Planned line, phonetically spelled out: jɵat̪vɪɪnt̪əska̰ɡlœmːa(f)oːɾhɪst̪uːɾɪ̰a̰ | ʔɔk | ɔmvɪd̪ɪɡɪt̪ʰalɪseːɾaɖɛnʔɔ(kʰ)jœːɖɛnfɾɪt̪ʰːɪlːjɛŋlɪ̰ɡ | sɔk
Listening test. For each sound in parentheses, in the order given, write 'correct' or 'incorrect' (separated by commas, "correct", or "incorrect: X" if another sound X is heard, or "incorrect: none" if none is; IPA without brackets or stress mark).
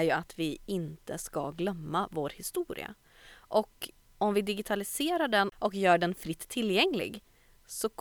incorrect: v, incorrect: k